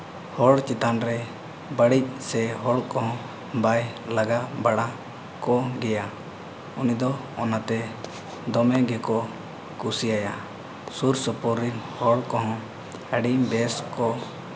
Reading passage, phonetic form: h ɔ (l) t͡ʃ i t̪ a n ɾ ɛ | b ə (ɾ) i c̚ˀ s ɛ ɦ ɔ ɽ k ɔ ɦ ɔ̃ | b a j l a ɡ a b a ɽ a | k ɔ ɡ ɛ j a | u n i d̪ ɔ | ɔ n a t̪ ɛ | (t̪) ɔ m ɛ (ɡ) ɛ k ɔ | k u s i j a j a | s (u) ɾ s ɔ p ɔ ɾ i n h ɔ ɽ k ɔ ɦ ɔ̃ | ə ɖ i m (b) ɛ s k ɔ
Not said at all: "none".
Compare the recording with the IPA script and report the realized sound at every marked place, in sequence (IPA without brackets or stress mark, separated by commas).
ɽ, ɽ, d̪, ɡ, u, b